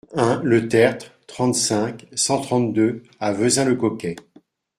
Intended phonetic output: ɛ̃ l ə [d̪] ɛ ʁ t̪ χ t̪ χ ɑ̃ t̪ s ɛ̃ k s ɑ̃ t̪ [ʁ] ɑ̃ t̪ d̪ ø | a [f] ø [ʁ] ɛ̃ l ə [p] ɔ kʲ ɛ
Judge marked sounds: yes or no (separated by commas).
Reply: no, no, no, no, no